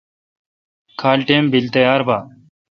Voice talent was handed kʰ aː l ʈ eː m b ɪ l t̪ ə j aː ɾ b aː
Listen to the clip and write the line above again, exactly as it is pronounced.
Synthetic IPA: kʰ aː l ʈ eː m b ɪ l t̪ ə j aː ɾ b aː